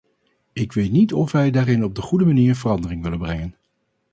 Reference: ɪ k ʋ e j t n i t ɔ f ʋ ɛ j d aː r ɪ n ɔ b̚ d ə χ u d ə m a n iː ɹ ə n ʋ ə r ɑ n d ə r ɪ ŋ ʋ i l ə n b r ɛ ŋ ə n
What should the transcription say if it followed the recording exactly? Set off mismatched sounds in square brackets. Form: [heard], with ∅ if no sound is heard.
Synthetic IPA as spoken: ɪ k ʋ e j t n i t ɔ f ʋ ɛ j d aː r ɪ n ɔ b̚ d ə χ u d ə m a n iː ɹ ə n [v] ə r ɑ n d ə r ɪ ŋ ʋ [ɪ] l ə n b r ɛ ŋ ə n